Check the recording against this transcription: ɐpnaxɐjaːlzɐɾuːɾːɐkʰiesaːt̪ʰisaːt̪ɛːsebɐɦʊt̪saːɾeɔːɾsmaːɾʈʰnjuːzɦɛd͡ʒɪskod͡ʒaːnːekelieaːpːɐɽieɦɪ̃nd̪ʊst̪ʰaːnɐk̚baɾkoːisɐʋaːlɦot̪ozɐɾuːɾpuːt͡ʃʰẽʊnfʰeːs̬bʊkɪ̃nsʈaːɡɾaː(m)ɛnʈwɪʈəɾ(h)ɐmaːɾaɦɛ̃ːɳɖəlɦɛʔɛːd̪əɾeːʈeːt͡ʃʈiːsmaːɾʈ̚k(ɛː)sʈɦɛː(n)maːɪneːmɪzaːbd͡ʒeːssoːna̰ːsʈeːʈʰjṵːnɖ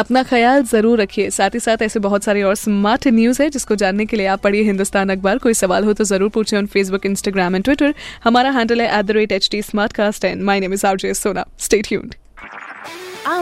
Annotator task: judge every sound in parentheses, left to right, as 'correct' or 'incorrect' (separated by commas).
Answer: correct, correct, incorrect, correct